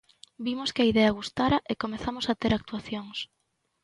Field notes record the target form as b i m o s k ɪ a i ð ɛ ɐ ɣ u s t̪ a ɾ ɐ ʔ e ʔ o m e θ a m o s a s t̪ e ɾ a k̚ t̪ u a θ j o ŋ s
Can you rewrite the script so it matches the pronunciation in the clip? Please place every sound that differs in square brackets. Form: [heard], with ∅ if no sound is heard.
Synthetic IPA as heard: b i m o s k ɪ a i ð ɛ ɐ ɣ u s t̪ a ɾ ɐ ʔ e [k] o m e θ a m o s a [∅] t̪ e ɾ a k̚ t̪ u a θ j o ŋ s